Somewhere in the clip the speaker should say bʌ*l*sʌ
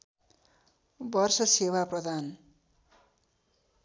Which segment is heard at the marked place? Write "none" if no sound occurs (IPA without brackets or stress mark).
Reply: r